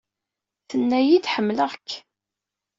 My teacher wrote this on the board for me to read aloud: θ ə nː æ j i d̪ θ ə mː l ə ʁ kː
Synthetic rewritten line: θ ə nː æ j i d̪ ħ ə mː l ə ʁ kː